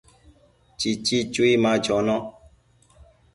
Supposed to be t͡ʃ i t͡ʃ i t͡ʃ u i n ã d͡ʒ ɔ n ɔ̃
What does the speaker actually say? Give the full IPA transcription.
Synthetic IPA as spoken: t͡ʃ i t͡ʃ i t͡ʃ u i m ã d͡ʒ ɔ n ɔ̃